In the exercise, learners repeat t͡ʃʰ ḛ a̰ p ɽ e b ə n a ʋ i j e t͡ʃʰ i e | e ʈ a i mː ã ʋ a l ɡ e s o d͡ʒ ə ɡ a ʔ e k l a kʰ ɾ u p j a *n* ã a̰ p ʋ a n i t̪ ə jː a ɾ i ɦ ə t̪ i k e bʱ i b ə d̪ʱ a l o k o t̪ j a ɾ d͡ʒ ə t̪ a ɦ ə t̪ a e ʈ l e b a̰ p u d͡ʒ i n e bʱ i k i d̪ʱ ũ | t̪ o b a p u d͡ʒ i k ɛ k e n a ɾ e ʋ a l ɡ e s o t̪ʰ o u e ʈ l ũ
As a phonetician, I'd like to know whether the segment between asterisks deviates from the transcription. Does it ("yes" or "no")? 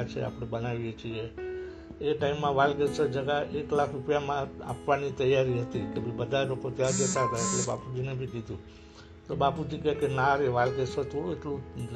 yes